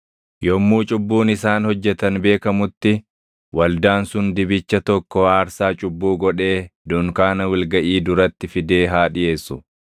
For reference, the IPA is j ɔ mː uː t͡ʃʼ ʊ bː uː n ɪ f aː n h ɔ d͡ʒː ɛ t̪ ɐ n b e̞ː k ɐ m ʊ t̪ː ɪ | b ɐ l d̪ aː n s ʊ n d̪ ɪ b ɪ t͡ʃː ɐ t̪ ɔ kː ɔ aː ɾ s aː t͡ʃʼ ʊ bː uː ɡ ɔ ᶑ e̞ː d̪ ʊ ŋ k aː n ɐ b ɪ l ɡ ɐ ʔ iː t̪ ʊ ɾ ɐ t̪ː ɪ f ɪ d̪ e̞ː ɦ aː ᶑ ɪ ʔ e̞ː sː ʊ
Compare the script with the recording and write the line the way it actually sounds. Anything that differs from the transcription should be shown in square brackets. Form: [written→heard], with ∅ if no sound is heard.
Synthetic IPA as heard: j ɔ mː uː t͡ʃʼ ʊ bː uː n ɪ [f→s] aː n h ɔ d͡ʒː ɛ t̪ ɐ n b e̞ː k ɐ m ʊ t̪ː ɪ | [b→w] ɐ l d̪ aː n s ʊ n d̪ ɪ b ɪ t͡ʃː ɐ t̪ ɔ kː ɔ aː ɾ s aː t͡ʃʼ ʊ bː uː ɡ ɔ ᶑ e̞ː d̪ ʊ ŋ k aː n ɐ [b→w] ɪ l ɡ ɐ ʔ iː [t̪→d̪] ʊ ɾ ɐ t̪ː ɪ f ɪ d̪ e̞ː ɦ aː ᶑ ɪ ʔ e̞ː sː ʊ